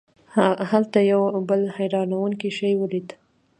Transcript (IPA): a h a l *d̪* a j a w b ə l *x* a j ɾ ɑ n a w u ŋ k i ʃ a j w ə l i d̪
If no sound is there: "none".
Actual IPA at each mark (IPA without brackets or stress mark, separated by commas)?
t̪, h